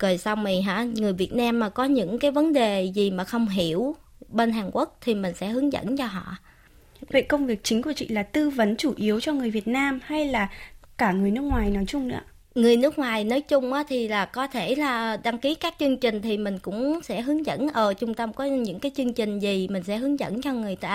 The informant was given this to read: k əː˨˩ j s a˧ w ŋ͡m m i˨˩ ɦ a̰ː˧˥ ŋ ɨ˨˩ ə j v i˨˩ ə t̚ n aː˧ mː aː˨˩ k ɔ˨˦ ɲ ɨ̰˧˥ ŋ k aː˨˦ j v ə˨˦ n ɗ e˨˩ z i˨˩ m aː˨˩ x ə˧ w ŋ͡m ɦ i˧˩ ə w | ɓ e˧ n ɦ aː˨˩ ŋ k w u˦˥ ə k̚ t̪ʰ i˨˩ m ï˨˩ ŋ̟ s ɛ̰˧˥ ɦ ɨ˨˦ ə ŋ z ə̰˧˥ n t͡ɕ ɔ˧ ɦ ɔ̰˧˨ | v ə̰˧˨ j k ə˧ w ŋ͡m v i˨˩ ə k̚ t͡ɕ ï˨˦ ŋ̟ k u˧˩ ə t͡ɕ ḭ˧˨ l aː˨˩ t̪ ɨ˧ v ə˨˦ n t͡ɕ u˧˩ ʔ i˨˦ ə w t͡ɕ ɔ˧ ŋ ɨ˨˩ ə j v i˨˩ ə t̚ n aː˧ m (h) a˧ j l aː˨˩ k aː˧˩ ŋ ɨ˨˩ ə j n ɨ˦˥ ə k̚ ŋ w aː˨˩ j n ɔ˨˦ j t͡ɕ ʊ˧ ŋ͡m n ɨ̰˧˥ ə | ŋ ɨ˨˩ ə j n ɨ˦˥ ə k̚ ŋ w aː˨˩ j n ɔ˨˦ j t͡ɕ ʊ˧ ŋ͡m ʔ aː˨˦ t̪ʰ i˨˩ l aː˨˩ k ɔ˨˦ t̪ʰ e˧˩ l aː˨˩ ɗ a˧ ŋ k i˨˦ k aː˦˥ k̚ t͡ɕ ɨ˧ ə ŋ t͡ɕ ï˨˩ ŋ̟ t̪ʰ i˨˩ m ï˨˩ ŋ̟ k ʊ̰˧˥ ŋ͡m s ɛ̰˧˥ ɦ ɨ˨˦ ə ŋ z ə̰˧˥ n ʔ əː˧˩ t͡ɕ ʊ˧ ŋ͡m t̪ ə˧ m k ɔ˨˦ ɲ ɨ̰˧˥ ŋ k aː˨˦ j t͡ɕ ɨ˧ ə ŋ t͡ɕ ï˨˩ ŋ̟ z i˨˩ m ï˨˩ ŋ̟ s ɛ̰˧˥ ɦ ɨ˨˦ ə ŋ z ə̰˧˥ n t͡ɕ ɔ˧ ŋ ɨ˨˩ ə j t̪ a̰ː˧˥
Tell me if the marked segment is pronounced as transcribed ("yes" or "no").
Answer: yes